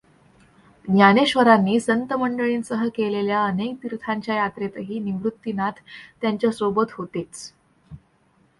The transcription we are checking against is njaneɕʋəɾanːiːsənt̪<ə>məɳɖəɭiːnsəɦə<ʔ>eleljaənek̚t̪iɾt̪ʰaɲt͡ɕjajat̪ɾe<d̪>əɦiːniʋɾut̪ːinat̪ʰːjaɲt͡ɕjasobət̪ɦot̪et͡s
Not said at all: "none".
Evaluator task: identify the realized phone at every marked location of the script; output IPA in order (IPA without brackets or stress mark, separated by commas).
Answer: ə, k, t̪